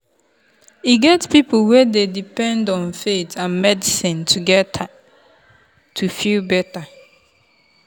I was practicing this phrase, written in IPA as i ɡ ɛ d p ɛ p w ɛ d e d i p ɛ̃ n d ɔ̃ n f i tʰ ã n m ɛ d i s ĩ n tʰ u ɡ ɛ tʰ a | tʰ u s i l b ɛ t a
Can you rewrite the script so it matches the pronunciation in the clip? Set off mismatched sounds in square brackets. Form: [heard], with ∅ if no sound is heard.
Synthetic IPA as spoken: i ɡ ɛ [t] p [i] p w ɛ d e d i p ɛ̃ n d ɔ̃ n f [e] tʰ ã n m ɛ d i s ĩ n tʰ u ɡ ɛ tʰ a | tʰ u [f] i l b ɛ t a